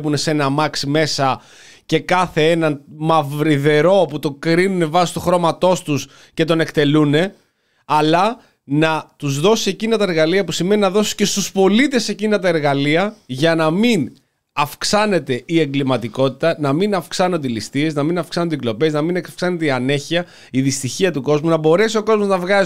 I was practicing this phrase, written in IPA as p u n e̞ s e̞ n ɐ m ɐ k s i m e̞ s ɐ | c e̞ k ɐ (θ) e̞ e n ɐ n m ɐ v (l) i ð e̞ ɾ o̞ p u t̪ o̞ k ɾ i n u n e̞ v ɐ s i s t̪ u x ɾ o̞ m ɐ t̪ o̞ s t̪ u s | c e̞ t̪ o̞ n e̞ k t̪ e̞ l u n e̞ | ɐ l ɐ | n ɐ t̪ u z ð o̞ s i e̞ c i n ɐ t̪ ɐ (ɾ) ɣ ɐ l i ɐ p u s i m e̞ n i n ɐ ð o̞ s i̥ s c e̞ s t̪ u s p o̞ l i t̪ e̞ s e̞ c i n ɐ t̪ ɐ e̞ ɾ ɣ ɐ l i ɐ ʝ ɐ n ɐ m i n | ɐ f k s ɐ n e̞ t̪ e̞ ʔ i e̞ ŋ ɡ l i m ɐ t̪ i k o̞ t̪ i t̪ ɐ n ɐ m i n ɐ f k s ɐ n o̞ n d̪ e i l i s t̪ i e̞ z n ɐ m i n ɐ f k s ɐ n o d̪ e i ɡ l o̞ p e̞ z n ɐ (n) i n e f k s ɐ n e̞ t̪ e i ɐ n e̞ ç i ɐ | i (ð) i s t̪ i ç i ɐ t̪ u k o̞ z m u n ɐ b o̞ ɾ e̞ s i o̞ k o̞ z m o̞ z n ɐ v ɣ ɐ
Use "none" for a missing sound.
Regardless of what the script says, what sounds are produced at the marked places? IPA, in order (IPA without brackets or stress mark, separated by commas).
θ, ɾ, ɾ, m, ð